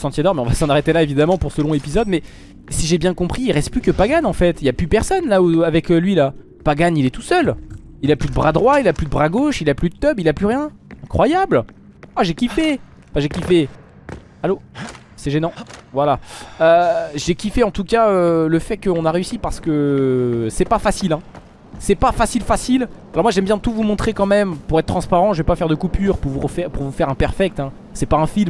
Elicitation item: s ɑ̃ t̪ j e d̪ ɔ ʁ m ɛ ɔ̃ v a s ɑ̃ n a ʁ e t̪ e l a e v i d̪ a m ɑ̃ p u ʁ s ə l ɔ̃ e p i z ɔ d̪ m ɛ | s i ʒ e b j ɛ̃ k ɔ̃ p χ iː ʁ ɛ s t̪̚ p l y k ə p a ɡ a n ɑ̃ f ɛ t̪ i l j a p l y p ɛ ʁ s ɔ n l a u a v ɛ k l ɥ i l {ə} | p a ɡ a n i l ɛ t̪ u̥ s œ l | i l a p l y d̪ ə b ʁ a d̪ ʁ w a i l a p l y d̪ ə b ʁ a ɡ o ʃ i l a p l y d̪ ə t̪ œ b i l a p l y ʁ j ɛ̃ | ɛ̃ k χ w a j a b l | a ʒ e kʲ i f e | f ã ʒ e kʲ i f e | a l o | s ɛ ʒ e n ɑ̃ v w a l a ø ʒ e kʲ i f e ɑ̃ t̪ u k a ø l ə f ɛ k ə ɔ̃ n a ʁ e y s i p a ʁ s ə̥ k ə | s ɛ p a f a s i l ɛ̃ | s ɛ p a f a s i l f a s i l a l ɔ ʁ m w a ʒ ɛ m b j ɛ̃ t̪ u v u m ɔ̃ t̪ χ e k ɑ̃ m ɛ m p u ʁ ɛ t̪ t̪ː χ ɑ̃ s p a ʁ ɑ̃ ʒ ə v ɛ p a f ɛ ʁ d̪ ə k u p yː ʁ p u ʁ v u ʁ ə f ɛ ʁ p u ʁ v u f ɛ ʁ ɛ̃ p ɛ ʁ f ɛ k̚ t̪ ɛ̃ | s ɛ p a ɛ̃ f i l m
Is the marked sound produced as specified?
no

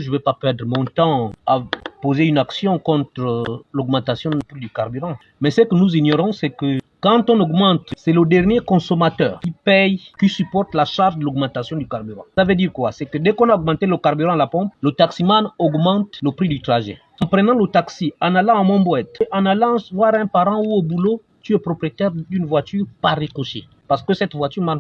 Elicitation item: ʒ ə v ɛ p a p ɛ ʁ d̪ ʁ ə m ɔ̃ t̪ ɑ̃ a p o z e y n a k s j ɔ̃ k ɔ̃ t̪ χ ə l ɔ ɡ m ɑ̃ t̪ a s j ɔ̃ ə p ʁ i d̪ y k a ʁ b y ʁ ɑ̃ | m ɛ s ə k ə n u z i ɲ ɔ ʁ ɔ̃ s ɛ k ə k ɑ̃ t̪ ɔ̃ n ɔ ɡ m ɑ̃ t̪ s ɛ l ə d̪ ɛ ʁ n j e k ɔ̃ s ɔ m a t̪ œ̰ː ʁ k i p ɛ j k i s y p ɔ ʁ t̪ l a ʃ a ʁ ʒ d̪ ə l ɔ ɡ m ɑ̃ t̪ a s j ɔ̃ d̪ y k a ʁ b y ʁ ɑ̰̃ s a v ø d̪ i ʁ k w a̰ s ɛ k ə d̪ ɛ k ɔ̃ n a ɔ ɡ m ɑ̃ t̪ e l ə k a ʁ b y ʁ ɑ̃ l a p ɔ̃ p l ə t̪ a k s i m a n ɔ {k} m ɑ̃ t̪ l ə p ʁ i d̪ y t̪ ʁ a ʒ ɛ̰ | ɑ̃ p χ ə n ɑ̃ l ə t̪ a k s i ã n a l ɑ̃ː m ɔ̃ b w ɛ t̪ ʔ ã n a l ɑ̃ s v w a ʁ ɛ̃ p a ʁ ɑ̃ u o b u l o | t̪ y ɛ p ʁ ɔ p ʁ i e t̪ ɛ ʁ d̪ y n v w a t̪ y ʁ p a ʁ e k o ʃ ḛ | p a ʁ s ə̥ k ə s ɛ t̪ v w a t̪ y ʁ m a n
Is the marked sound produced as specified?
no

